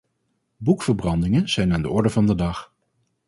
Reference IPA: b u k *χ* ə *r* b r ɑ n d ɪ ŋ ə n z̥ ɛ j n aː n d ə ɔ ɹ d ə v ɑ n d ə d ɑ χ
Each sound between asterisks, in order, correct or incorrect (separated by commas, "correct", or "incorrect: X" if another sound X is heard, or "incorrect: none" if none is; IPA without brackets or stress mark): incorrect: f, incorrect: ɹ